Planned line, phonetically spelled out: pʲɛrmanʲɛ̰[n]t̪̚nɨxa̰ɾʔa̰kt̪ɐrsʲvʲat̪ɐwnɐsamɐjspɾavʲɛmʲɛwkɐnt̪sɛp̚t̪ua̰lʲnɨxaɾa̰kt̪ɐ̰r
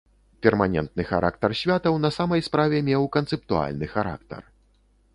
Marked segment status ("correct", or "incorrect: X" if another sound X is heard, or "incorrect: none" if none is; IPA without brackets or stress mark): correct